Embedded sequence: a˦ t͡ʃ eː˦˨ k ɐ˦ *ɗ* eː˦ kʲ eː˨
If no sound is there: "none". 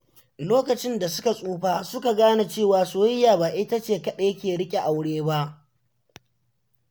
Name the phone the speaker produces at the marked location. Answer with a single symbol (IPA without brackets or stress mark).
ɗ